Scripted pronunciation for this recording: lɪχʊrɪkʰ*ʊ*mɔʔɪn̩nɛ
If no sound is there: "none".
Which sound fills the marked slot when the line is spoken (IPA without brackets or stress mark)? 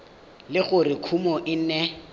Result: u